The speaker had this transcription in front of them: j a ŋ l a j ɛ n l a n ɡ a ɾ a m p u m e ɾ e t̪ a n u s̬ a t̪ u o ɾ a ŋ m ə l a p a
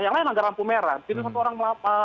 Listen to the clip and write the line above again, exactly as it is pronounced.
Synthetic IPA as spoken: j a ŋ l a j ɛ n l a ŋ ɡ a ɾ a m p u m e ɾ a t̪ i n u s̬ a t̪ u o ɾ a ŋ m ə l a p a